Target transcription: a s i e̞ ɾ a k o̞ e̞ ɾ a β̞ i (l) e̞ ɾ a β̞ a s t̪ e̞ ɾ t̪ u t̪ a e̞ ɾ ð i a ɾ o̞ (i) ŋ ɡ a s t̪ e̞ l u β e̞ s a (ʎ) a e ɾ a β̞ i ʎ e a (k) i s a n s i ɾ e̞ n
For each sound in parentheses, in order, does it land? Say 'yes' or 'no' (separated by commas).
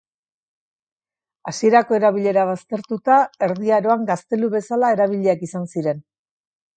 no, no, no, yes